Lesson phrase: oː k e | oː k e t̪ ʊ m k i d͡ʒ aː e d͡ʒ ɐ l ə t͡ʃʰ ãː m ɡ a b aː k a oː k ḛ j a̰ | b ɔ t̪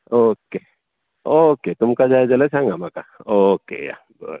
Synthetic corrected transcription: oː k e | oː k e t̪ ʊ m k a d͡ʒ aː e d͡ʒ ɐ l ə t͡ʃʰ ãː ŋ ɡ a m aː k a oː k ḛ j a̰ | b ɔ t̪